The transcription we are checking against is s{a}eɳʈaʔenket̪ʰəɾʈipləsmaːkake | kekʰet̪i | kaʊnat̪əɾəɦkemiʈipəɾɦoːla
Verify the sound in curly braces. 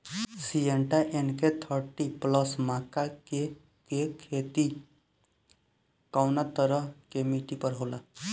incorrect: i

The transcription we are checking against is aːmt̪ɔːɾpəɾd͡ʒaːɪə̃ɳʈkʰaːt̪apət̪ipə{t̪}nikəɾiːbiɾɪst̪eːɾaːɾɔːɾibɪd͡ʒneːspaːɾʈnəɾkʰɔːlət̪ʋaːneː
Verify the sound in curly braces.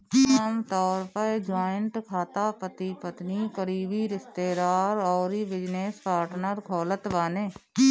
correct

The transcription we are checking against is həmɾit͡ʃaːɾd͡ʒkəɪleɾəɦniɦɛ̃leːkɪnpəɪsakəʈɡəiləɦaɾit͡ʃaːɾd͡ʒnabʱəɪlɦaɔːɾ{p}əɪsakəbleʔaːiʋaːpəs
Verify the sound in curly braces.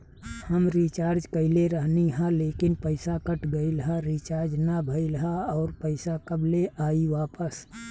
correct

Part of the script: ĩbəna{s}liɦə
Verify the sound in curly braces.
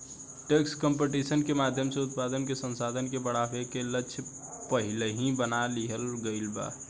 incorrect: none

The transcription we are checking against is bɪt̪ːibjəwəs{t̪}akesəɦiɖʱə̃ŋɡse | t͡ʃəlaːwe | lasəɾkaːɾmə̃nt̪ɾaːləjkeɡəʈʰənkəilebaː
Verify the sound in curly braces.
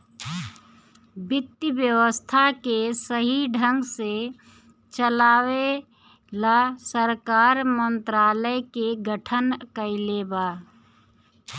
incorrect: t̪ʰ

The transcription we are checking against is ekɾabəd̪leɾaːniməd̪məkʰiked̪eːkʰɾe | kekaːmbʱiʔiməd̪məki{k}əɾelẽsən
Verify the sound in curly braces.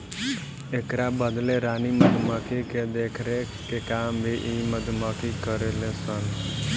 correct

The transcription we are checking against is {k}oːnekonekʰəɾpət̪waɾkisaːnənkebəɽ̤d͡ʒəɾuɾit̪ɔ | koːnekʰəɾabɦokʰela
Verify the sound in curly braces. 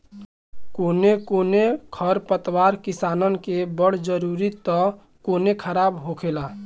correct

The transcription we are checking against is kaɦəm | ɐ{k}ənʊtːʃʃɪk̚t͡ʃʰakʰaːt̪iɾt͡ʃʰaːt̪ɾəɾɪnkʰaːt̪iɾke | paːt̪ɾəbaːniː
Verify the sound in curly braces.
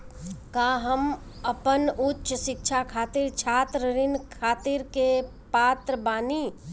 incorrect: p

